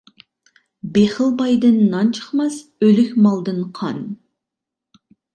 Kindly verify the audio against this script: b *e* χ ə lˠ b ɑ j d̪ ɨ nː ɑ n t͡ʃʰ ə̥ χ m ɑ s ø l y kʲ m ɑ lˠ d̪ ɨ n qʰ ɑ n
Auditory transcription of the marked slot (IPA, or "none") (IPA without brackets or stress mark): e